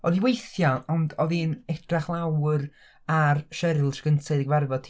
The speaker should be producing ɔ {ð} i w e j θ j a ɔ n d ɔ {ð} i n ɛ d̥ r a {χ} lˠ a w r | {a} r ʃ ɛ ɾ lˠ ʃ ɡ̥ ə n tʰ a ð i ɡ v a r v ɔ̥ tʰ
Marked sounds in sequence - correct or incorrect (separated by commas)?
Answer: correct, correct, correct, correct